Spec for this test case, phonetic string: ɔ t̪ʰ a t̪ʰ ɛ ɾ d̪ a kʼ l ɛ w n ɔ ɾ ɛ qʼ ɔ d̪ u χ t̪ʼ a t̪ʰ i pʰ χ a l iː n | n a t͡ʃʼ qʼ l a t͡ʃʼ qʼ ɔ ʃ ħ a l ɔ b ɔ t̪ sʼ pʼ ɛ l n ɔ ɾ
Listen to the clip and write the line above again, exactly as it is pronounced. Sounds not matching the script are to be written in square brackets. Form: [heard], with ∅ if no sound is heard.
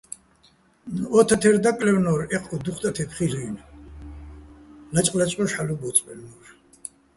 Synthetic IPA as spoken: ɔ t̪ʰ a t̪ʰ ɛ ɾ d̪ a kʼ l ɛ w n ɔ ɾ ɛ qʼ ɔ d̪ u χ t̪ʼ a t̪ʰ [ɛ] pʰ χ [i] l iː n | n a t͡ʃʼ qʼ l a t͡ʃʼ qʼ ɔ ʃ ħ a l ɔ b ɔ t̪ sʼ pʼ ɛ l n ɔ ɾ